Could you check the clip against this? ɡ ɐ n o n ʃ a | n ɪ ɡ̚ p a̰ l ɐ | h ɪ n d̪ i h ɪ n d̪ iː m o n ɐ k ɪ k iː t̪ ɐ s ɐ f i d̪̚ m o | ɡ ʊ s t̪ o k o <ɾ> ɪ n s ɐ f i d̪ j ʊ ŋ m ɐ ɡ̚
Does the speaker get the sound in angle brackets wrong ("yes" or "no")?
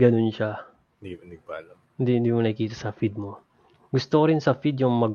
no